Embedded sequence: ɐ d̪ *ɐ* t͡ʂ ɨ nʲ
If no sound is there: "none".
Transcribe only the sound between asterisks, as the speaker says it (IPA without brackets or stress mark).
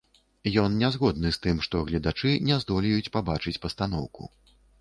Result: a